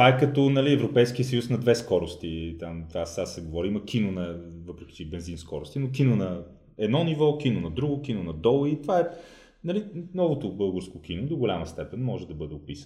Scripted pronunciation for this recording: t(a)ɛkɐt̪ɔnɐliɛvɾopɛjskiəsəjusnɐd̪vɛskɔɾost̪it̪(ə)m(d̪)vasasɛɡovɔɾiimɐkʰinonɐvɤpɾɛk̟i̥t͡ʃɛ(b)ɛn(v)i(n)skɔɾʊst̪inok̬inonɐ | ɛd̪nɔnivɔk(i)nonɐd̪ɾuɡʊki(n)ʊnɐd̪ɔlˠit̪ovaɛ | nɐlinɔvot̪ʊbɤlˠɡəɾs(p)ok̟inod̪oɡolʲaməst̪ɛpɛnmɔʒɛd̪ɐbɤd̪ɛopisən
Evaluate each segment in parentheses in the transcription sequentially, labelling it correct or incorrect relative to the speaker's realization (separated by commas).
correct, incorrect, incorrect, correct, incorrect, correct, correct, correct, incorrect